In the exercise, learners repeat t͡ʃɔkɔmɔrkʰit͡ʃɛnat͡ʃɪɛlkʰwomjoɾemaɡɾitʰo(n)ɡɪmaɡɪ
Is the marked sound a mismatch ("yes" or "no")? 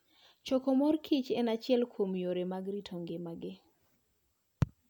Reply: yes